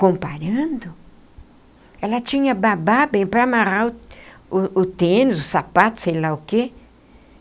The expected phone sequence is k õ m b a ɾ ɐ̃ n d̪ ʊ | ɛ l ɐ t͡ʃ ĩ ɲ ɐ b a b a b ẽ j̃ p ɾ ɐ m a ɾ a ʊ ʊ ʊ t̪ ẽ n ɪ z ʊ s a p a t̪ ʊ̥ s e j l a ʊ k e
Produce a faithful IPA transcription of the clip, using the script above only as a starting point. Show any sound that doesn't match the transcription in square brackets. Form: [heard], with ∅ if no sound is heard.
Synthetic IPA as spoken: k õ m [p] a ɾ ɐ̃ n d̪ ʊ | ɛ l ɐ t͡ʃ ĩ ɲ ɐ b a b a b ẽ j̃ p ɾ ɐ m a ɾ a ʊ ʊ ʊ t̪ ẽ n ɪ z ʊ s a p a t̪ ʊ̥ s e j l a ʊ k e